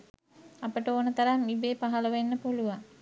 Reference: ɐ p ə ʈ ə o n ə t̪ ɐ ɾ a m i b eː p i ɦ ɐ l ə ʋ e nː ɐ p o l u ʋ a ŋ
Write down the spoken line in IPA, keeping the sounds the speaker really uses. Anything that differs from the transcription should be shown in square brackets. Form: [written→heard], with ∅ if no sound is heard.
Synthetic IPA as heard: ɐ p ə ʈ ə o n ə t̪ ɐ ɾ a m i b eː p [i→a] ɦ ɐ l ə ʋ e nː [ɐ→ə] p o l u ʋ a ŋ